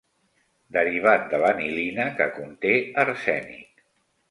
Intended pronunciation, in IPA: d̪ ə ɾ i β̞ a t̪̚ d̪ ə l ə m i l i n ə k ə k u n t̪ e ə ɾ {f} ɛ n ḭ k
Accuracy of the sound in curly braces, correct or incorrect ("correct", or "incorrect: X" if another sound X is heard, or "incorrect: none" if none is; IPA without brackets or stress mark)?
incorrect: s